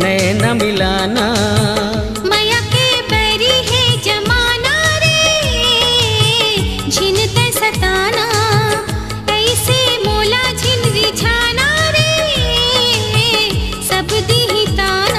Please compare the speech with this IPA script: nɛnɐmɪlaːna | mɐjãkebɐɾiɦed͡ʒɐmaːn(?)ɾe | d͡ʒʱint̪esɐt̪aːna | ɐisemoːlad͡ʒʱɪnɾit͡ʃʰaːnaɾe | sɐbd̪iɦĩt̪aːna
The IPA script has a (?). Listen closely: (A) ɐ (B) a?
B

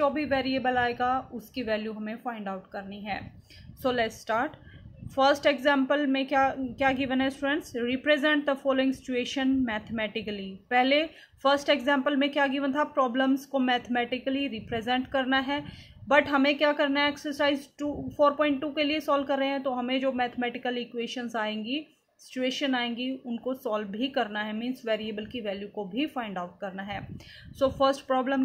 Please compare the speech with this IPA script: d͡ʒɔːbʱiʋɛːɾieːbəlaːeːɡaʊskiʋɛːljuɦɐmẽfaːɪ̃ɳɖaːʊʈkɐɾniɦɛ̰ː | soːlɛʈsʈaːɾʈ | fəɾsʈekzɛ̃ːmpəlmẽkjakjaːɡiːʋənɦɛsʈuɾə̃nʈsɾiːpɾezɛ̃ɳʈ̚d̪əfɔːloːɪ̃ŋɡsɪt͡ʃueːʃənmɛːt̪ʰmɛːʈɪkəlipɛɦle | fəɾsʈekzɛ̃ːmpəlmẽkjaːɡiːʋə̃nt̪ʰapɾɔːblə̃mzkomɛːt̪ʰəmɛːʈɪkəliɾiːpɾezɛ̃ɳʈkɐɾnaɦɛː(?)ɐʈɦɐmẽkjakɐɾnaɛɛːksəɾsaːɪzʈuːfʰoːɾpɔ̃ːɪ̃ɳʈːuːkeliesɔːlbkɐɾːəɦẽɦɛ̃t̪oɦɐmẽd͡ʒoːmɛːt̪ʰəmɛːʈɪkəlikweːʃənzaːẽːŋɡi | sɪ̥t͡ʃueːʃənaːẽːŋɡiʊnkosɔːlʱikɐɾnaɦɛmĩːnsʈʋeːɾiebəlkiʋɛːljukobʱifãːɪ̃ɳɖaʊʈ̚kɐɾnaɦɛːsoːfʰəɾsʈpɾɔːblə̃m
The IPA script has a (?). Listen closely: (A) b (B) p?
A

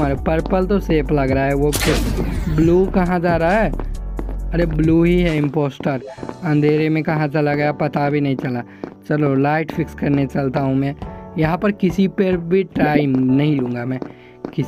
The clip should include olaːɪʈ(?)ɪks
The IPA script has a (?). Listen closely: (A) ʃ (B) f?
B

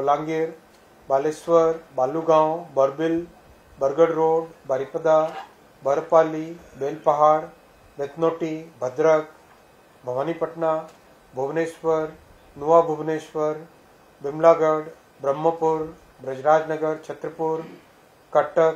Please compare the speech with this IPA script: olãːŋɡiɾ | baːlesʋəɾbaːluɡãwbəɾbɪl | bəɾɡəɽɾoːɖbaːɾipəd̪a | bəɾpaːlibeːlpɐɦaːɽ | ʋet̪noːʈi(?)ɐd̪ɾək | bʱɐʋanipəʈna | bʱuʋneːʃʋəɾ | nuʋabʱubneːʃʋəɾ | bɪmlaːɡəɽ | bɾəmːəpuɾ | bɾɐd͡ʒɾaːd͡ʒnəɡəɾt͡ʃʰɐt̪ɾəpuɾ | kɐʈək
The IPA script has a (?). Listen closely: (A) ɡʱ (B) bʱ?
B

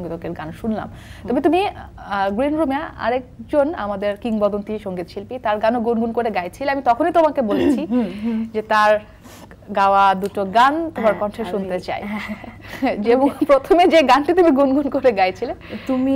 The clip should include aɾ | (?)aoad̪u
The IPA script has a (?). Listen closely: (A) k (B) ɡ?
B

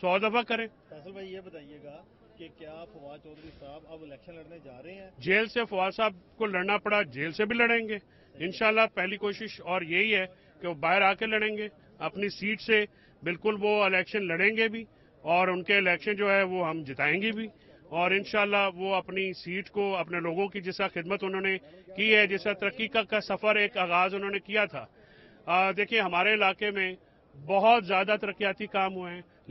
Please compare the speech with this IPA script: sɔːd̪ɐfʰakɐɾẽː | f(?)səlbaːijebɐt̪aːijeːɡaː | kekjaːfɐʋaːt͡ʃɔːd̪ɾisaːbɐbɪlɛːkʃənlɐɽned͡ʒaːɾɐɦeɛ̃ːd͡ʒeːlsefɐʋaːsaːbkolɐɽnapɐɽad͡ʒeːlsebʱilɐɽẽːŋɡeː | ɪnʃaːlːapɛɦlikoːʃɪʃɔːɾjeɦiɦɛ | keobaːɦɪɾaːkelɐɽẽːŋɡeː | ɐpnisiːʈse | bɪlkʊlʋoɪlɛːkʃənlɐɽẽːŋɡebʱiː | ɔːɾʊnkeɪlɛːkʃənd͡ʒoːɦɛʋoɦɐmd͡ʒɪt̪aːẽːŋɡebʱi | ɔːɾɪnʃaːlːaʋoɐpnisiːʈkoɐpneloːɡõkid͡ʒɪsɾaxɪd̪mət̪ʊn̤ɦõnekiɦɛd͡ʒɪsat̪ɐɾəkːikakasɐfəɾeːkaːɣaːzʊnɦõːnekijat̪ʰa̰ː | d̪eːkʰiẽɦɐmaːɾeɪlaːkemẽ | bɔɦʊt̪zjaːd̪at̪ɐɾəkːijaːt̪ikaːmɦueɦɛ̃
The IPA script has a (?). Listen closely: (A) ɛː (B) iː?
A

